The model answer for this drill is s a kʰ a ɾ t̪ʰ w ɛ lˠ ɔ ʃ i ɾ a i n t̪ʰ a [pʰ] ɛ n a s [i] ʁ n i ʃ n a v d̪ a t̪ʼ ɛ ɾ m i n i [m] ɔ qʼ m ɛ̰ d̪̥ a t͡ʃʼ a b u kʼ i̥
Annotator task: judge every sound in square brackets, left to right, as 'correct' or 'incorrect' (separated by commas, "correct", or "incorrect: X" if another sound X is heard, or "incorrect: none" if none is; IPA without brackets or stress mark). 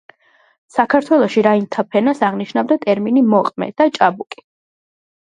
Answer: correct, incorrect: a, correct